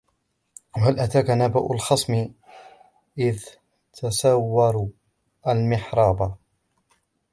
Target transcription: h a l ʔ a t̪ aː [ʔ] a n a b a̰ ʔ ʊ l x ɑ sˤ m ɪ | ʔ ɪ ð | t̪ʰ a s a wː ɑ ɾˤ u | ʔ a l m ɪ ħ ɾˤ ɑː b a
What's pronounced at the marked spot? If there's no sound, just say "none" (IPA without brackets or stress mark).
k